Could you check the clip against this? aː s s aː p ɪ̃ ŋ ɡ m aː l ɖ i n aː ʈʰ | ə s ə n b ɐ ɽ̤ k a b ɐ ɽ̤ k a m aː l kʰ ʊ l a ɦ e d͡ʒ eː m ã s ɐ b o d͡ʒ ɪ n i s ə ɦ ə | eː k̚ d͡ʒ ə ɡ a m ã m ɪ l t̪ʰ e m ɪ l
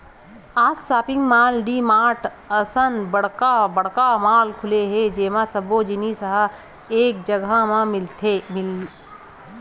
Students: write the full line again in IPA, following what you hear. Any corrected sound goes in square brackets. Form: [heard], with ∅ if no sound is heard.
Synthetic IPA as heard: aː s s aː p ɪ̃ ŋ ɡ m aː l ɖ i [m] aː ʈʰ | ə s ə n b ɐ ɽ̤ k a b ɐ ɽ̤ k a m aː l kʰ ʊ l [e] ɦ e d͡ʒ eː m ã s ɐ b o d͡ʒ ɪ n i s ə ɦ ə | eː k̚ d͡ʒ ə ɡ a m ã m ɪ l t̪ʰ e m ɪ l